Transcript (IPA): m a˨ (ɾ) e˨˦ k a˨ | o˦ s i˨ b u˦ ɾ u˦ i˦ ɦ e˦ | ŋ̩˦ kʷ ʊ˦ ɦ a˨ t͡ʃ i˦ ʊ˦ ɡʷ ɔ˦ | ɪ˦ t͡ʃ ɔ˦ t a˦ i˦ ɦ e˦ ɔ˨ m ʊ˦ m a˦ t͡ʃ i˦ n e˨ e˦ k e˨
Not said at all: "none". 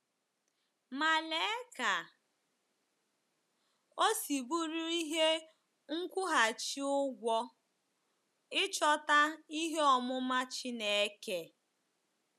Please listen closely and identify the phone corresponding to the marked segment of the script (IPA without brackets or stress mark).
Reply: l